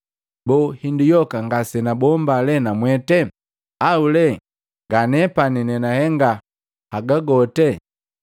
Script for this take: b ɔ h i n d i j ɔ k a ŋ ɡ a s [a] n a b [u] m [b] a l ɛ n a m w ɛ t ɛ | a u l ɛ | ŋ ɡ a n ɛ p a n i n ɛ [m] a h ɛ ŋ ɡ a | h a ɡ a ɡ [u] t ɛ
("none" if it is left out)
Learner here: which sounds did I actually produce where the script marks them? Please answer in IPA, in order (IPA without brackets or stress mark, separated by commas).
ɛ, ɔ, b, n, ɔ